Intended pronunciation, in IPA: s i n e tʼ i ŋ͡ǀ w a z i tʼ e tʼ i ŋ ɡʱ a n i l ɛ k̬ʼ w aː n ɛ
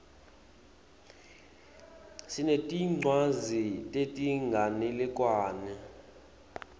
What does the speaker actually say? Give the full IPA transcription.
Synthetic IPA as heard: s i n e tʼ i ŋ͡ǀ w a z i tʼ e tʼ i ŋ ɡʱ a n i l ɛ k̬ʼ w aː n ɛ